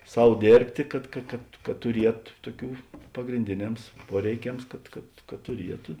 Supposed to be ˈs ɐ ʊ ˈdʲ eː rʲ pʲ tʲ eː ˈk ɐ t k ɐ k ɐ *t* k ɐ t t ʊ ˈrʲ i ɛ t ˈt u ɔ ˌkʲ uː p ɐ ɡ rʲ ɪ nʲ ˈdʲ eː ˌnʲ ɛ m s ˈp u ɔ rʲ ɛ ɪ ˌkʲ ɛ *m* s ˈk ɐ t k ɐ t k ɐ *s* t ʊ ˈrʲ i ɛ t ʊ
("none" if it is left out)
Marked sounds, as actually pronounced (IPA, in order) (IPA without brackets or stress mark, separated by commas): t, m, t